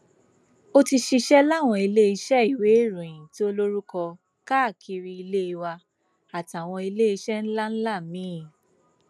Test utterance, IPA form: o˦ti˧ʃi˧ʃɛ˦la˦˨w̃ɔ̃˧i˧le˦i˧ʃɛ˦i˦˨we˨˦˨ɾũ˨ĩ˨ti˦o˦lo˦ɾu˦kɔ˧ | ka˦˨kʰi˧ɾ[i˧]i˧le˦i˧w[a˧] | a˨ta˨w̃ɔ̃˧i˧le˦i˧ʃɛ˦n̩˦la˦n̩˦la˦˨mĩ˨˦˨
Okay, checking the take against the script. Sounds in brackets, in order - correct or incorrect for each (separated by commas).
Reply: correct, correct